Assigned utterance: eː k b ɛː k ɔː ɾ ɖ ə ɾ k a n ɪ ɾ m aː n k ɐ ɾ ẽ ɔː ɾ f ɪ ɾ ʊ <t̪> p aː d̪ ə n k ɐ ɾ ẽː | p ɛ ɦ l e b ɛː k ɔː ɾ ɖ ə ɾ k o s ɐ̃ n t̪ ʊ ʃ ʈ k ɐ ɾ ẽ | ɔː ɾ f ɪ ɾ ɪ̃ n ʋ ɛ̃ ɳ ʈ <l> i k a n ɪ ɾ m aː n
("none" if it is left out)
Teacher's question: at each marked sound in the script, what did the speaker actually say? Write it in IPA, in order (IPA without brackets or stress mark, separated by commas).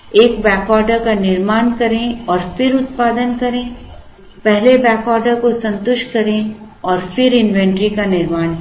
t̪, ɾ